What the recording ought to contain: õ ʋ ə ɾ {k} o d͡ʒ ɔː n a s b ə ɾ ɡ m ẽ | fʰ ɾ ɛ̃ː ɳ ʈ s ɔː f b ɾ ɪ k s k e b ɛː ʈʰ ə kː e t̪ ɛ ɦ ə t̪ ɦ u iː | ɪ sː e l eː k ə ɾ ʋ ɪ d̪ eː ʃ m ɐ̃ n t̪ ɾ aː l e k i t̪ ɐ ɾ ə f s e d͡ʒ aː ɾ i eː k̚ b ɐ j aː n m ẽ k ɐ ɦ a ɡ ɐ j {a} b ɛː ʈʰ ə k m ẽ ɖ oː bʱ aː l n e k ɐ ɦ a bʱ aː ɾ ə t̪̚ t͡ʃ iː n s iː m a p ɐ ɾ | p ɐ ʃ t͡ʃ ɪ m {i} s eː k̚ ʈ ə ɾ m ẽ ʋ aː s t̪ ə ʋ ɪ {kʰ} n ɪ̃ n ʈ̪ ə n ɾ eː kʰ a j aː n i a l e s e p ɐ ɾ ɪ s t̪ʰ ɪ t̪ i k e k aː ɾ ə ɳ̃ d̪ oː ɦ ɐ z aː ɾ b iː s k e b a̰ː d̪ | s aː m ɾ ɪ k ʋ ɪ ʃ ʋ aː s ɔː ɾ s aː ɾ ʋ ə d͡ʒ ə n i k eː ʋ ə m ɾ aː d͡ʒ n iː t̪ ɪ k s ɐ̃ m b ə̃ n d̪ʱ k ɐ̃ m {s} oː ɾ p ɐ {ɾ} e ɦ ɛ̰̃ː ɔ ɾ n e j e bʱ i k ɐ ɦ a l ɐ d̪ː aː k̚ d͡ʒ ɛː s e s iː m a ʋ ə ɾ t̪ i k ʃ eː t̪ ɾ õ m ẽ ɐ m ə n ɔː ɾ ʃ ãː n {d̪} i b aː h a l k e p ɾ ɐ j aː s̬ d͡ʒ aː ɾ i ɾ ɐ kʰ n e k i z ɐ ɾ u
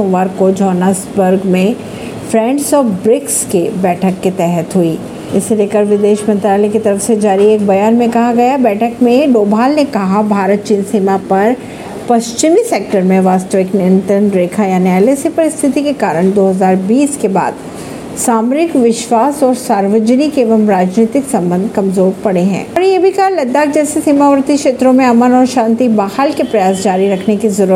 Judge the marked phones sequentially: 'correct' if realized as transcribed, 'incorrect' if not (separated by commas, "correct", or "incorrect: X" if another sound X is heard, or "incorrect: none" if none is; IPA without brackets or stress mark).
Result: correct, correct, correct, incorrect: k, incorrect: z, incorrect: ɽ, incorrect: t̪